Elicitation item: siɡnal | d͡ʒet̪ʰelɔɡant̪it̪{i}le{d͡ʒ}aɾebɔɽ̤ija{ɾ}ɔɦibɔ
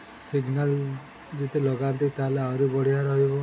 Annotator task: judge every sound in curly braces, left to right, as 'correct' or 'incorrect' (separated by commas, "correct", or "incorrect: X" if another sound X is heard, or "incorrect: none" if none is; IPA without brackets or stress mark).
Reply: incorrect: a, incorrect: none, correct